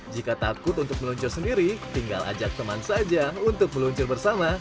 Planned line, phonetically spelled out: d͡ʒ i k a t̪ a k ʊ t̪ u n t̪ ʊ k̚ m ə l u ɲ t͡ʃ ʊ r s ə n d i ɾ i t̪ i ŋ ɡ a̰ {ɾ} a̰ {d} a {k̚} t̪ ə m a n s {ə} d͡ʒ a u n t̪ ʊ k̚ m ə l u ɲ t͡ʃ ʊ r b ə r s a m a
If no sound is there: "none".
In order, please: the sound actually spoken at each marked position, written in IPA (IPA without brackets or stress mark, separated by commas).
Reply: l, d͡ʒ, k̚, a